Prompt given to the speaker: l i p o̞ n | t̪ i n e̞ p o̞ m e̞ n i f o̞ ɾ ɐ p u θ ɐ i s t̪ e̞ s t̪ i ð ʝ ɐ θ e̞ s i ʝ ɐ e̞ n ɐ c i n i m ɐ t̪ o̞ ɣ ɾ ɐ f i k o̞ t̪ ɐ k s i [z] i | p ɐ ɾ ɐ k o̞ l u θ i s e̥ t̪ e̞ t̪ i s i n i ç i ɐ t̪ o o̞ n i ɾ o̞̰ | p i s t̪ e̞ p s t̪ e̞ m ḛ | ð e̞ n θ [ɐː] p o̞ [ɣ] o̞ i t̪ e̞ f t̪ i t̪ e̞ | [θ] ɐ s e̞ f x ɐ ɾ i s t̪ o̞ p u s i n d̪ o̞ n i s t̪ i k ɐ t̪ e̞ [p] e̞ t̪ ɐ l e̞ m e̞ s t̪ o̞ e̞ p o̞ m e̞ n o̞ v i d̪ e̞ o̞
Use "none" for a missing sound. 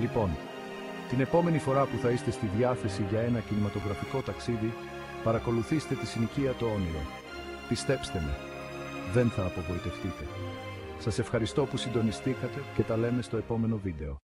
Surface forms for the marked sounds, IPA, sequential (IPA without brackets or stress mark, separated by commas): ð, ɐː, v, s, c